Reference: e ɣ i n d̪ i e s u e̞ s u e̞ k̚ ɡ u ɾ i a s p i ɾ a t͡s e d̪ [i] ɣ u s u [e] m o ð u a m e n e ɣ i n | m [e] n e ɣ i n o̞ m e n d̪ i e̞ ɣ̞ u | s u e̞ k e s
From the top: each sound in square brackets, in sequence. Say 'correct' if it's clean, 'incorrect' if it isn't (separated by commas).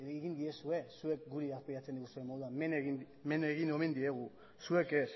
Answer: correct, correct, correct